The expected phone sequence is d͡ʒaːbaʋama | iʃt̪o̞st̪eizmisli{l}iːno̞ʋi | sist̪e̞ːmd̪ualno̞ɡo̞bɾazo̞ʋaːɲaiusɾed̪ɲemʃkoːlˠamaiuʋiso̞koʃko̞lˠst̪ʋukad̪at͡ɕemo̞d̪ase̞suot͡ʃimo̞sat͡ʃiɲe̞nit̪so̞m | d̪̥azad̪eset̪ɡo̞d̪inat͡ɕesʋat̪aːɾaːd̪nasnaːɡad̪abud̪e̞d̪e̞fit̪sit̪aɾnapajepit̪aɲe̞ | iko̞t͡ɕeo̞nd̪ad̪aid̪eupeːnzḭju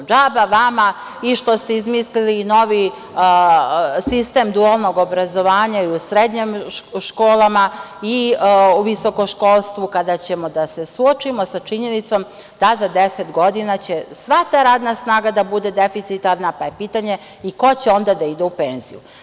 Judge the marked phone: correct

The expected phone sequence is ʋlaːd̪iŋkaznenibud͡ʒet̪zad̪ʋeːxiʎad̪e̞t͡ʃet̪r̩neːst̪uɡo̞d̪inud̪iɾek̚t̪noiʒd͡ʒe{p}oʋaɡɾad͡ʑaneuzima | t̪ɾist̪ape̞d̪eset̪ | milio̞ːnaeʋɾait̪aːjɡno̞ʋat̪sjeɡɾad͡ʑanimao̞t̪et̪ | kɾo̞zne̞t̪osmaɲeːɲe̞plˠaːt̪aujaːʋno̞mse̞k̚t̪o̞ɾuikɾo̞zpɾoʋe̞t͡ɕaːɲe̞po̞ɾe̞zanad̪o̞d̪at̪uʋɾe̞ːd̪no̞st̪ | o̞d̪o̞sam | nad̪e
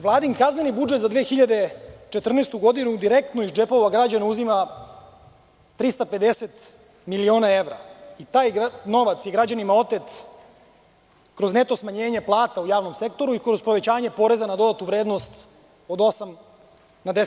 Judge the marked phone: correct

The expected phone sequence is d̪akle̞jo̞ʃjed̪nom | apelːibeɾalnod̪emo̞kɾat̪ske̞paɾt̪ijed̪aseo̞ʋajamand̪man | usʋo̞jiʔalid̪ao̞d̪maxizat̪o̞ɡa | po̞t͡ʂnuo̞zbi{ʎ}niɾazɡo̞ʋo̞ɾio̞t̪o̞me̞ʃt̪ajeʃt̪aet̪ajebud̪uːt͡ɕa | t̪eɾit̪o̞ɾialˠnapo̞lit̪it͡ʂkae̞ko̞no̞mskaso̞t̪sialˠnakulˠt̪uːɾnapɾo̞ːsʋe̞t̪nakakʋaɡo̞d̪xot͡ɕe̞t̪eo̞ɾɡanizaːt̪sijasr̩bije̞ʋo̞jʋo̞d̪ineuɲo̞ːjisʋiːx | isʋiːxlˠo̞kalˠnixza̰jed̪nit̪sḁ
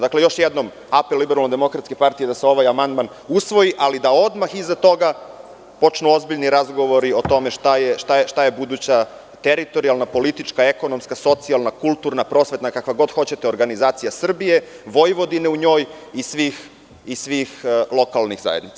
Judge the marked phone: correct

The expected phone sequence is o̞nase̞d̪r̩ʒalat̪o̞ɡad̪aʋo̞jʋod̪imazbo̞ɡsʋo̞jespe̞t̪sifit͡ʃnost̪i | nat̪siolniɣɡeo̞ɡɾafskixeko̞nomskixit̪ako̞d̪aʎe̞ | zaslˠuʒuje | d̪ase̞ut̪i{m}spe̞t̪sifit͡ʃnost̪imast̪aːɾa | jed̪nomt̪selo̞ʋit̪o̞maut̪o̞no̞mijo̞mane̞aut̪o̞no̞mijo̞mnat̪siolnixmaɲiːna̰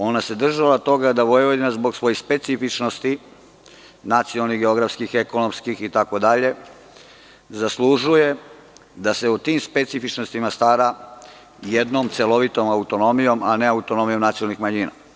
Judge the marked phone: correct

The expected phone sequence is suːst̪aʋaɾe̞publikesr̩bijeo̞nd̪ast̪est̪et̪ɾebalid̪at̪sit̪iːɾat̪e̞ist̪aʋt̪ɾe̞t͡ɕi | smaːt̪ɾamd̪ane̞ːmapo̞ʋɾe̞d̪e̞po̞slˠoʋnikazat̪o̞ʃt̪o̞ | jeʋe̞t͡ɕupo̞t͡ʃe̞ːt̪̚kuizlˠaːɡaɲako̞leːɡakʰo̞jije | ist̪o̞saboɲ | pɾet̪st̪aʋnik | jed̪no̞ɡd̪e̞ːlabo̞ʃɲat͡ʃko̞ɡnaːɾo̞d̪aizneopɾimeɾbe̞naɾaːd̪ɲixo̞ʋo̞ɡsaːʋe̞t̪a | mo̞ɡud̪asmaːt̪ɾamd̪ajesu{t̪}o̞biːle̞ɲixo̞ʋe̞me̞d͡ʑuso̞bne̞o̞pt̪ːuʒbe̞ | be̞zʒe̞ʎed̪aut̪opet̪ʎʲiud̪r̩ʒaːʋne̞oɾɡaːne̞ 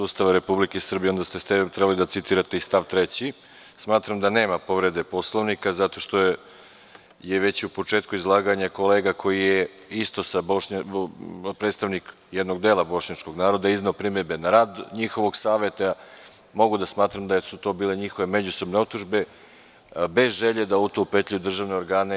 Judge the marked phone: correct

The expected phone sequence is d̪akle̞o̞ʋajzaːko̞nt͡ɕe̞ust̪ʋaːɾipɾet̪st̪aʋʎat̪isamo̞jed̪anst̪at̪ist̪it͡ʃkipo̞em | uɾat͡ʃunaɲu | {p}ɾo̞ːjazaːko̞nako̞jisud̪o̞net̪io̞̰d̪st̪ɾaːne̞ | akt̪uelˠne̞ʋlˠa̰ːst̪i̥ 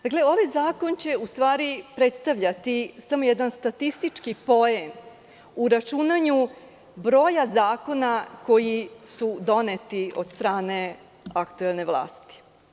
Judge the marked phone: incorrect: b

